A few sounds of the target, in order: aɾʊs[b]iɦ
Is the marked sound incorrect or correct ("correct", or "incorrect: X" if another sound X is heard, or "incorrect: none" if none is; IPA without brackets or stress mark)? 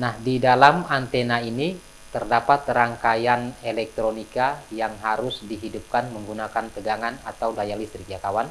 incorrect: d